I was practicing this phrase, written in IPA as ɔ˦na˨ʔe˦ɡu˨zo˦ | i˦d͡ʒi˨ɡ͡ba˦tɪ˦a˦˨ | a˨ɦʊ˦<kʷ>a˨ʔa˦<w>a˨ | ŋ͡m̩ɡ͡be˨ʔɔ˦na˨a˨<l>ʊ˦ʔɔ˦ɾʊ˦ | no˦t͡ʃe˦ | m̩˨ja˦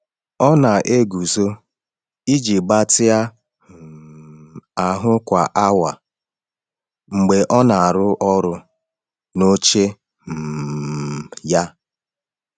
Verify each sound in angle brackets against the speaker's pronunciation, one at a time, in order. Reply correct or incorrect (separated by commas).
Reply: correct, correct, incorrect